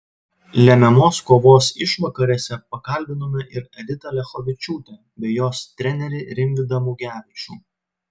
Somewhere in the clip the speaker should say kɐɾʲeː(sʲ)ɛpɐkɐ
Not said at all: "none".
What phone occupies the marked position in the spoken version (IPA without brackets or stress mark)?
sʲ